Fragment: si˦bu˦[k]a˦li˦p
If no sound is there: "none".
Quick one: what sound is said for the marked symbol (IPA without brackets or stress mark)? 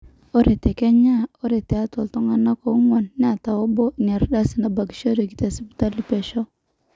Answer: t